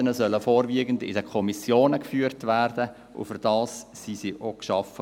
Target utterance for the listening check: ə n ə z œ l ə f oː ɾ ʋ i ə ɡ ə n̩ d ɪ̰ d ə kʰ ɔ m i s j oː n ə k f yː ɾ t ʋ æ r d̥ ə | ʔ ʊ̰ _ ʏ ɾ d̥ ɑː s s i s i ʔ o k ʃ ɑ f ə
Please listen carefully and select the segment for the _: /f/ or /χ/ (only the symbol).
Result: f